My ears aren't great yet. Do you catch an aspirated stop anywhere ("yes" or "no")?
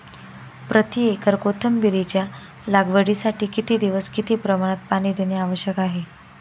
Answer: yes